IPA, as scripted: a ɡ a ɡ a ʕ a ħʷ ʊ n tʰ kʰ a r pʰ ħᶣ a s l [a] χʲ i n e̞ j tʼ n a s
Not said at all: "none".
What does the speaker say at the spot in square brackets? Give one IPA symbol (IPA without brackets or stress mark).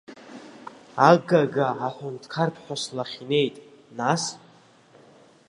a